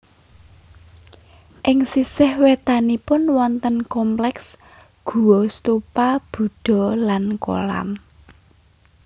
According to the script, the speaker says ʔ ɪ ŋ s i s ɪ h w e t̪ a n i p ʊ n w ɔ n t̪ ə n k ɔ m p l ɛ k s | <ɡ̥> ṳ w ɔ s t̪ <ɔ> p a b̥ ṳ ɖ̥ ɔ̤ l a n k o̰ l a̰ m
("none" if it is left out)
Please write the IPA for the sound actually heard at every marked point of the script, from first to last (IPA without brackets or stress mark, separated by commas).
ɡ̥, u